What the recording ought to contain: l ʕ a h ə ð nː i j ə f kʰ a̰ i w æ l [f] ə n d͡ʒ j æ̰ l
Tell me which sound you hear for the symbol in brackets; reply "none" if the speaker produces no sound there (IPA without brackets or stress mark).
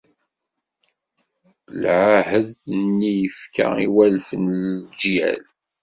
f